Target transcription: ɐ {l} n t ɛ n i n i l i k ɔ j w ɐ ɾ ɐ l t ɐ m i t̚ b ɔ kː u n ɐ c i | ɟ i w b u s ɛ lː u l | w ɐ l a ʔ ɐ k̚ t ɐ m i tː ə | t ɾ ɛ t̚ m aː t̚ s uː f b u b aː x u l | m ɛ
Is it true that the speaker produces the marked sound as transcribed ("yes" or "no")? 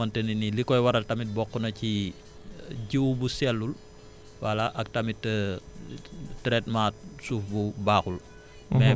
no